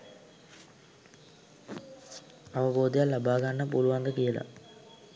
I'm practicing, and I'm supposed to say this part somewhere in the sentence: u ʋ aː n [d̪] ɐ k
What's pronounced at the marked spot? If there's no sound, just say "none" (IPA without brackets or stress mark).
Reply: d̪